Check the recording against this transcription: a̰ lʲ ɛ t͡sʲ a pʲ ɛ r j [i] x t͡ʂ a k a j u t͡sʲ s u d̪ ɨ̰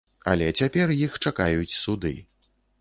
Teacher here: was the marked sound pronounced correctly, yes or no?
yes